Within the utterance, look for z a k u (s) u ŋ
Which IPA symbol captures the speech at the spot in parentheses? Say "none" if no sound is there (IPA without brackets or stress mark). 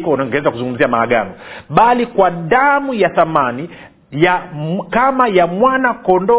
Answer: z